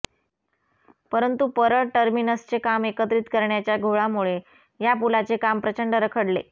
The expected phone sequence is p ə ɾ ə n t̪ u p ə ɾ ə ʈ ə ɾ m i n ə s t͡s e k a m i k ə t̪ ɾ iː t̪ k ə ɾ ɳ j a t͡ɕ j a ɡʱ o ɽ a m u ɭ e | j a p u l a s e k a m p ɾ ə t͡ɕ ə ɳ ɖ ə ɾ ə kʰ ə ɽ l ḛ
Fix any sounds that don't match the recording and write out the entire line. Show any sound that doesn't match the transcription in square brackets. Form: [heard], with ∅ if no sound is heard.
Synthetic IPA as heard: p ə ɾ ə n t̪ u p ə ɾ ə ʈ ə ɾ m i n ə s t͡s e k a m [e] k ə t̪ ɾ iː t̪ k ə ɾ ɳ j a t͡ɕ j a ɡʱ o [ɭ] a m u ɭ e | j a p u l a [t͡s] e k a m p ɾ ə t͡ɕ ə ɳ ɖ ə ɾ ə kʰ ə ɽ l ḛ

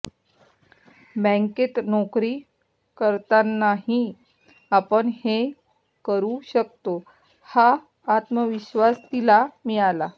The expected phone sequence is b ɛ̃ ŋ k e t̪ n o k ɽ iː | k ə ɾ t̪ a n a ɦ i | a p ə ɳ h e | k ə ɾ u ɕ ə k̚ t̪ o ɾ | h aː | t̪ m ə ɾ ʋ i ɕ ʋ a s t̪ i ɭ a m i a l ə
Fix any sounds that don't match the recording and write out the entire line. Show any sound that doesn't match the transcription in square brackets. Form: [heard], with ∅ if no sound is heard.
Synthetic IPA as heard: b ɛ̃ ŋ k e t̪ n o k [ɾ] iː | k ə ɾ t̪ a n a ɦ i | a p ə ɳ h e | k ə ɾ u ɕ ə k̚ t̪ o [∅] | h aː | t̪ m ə [∅] ʋ i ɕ ʋ a s t̪ i [l] a m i a l [a]

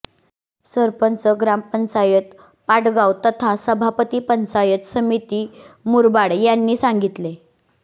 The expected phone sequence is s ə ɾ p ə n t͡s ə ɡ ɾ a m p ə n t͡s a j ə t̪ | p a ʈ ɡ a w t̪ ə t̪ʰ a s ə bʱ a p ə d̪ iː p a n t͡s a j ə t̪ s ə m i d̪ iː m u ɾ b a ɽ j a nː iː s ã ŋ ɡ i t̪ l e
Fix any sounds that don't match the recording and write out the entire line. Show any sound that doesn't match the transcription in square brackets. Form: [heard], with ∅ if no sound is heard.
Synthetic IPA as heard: s ə ɾ p ə n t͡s ə ɡ ɾ a m p ə n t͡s a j ə t̪ | p a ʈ ɡ a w t̪ ə t̪ʰ a s ə bʱ a p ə [t̪] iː p [ə] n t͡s a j ə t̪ s ə m i [t̪] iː m u ɾ b a ɽ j a nː iː s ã ŋ ɡ i t̪ l e

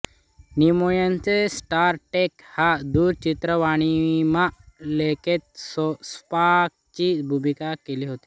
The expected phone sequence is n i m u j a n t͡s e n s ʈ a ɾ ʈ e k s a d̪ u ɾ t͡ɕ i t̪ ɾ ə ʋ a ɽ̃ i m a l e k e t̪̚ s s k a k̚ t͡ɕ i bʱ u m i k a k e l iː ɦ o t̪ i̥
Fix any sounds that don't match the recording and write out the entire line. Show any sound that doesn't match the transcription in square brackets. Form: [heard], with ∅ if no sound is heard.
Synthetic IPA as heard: n i m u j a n t͡s e [∅] s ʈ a ɾ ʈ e k [h] a d̪ u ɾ t͡ɕ i t̪ ɾ ə ʋ a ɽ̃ i m a l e k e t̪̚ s s [p] a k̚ t͡ɕ i bʱ u m i k a k e l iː ɦ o t̪ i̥

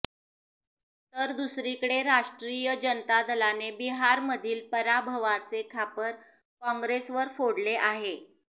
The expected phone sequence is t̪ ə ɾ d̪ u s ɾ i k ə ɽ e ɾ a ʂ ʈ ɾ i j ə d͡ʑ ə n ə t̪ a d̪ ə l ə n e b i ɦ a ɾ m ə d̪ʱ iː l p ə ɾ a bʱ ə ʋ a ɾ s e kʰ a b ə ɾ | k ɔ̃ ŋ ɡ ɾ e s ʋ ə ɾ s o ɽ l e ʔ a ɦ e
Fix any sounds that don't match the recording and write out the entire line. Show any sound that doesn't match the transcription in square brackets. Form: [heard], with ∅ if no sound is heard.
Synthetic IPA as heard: t̪ ə ɾ d̪ u s ɾ i k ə ɽ e ɾ a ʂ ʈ ɾ i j ə d͡ʑ ə n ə t̪ a d̪ ə l [a] n e b i ɦ a ɾ m ə d̪ʱ iː l p ə ɾ a bʱ ə ʋ a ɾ [t͡s] e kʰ a [p] ə ɾ | k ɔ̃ ŋ ɡ ɾ e s ʋ ə ɾ [f] o ɽ l e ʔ a ɦ e

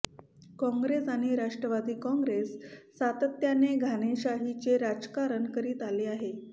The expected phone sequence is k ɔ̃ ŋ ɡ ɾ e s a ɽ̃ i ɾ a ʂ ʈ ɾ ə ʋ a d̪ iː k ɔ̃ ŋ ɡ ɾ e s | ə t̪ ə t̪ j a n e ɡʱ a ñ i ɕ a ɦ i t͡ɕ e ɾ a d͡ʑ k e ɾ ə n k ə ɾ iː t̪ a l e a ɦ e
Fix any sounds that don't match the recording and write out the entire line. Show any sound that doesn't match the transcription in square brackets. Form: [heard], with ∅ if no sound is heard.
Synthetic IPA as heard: k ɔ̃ ŋ ɡ ɾ e s a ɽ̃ i ɾ a ʂ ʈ ɾ ə ʋ a d̪ iː k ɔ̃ ŋ ɡ ɾ e [sː] | [a] t̪ ə t̪ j a n e ɡʱ a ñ [e] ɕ a ɦ i t͡ɕ e ɾ a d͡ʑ k [a] ɾ ə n k ə ɾ iː t̪ a l e a ɦ e

